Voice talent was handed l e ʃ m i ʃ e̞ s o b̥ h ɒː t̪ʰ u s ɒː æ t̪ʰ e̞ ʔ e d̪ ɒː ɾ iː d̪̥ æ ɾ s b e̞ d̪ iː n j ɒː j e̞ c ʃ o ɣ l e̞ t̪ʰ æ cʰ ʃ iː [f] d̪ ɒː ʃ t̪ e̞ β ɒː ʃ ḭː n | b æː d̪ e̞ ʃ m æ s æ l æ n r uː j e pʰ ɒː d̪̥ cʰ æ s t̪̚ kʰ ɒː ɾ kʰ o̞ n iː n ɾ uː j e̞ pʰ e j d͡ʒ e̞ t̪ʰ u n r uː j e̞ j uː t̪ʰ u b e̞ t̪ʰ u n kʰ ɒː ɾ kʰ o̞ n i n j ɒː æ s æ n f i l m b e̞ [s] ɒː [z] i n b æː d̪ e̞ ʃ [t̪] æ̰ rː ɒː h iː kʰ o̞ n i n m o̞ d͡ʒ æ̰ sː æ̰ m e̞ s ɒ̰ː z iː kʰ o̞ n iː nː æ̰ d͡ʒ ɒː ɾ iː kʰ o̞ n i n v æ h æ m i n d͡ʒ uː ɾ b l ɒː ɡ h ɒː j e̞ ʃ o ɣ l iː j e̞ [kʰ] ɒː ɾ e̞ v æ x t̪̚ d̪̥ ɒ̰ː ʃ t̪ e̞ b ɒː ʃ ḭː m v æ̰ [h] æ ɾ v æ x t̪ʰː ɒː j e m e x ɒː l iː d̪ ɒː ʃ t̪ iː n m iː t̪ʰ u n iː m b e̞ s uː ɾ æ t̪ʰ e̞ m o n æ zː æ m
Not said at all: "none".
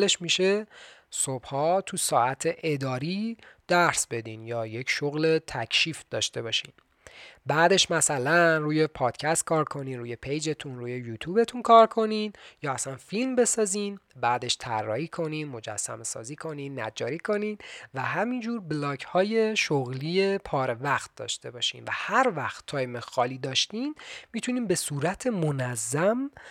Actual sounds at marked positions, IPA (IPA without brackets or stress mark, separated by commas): f, s, z, t̪ʰ, pʰ, h